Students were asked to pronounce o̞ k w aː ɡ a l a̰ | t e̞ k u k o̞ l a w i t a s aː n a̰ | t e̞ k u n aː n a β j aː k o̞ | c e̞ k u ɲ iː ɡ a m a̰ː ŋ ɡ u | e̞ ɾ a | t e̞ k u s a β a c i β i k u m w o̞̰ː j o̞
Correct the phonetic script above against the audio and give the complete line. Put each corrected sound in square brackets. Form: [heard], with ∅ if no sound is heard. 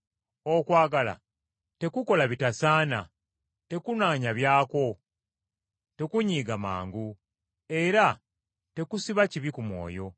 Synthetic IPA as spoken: o̞ k w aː ɡ a l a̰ | t e̞ k u k o̞ l a [β] i t a s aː n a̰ | t e̞ k u n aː [ɲ] a β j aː k o̞ | [t] e̞ k u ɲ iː ɡ a m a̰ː ŋ ɡ u | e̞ ɾ a | t e̞ k u s [i] β a c i β i k u m w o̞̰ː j o̞